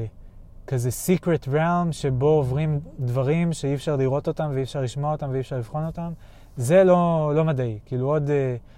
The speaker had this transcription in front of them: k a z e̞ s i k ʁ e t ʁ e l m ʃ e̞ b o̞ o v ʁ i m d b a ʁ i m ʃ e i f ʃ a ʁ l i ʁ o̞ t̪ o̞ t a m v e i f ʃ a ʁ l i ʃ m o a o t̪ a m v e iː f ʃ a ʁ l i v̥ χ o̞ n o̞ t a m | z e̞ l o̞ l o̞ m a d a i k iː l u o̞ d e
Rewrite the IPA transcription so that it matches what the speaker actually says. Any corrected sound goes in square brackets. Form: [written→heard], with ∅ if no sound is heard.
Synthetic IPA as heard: k a z e̞ s i k ʁ e t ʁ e l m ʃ e̞ b o̞ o v ʁ i m d [b→v] a ʁ i m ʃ e i f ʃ a ʁ l i ʁ o̞ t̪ o̞ t a m v e i f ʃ a ʁ l i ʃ m o a o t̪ a m v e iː f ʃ a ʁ l i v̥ χ o̞ n o̞ t a m | z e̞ l o̞ l o̞ m a d a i k iː l u o̞ d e